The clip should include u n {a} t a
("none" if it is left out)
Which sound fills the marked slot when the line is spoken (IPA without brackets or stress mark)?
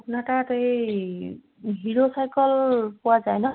a